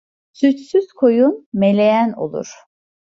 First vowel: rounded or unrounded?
rounded